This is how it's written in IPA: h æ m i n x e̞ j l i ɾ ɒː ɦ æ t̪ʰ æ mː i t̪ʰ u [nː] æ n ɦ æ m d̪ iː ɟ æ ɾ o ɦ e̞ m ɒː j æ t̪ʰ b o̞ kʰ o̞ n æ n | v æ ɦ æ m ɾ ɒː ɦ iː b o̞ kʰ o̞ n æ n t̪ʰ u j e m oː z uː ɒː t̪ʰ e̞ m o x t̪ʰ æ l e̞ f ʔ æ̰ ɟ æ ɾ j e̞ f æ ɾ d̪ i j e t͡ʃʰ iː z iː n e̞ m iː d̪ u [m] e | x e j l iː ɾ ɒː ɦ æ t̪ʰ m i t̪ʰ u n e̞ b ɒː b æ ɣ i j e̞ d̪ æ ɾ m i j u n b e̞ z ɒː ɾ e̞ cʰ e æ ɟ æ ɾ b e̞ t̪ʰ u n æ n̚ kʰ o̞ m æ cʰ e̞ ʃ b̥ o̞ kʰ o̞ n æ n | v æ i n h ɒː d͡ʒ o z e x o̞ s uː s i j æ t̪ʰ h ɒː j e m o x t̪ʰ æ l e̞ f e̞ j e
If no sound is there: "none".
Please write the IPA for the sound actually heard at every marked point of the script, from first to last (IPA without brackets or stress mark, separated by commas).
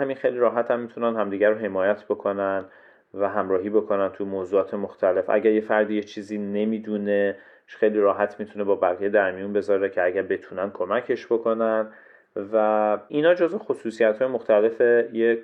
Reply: n, n